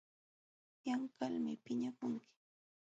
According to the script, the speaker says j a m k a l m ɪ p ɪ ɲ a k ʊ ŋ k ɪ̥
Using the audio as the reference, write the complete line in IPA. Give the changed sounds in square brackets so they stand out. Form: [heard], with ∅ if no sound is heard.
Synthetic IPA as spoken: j a [ŋ] k a l m ɪ p ɪ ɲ a k ʊ ŋ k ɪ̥